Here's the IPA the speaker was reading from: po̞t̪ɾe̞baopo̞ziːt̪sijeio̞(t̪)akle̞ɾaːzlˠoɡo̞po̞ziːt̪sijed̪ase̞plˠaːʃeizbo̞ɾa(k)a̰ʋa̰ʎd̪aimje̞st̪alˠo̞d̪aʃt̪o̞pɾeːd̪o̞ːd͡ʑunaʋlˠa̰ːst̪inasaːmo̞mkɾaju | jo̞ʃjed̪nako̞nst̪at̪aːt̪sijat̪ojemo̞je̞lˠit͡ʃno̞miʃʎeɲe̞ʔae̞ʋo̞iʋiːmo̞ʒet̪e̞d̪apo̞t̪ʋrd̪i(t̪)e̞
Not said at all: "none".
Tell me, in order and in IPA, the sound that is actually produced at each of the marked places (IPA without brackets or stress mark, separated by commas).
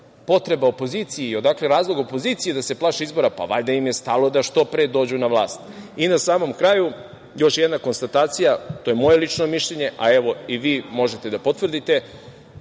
d̪, p, t̪